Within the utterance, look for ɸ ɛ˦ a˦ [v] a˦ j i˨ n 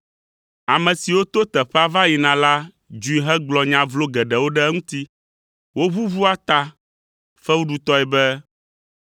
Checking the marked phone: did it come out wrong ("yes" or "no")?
no